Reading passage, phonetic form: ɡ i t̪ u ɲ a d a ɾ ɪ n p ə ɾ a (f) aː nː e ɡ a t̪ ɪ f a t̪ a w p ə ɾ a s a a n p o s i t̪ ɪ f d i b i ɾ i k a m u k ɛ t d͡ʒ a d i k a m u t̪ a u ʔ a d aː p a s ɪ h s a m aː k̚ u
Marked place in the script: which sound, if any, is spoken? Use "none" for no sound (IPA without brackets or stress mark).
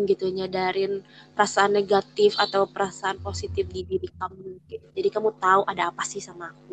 s